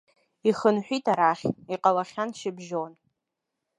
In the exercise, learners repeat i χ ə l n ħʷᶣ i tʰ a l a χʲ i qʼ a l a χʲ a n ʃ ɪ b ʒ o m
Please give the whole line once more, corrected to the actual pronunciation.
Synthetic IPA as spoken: i χ ə n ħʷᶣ i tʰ a ɾ a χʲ i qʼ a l a χʲ a n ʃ ɪ b ʒ o n